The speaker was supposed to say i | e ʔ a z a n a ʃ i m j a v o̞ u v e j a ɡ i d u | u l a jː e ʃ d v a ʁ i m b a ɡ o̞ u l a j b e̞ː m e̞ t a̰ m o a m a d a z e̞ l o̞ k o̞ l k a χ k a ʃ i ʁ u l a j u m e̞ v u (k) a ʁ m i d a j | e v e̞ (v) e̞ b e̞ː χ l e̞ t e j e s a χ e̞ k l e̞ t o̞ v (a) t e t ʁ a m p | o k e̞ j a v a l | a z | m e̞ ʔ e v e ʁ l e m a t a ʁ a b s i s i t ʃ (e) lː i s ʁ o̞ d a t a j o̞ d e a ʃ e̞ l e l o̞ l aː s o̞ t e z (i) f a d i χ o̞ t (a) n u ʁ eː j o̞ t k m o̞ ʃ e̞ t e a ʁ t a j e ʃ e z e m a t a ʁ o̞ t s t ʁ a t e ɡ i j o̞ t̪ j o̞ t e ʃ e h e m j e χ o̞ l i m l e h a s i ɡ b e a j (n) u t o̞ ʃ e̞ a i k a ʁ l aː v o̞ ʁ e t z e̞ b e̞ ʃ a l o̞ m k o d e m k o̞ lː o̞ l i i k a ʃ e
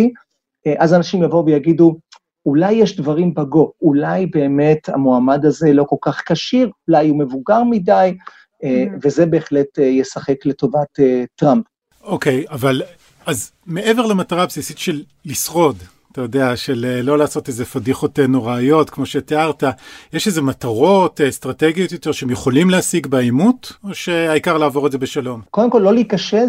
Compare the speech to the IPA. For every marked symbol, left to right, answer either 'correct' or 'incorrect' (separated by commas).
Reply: incorrect, incorrect, correct, correct, incorrect, incorrect, incorrect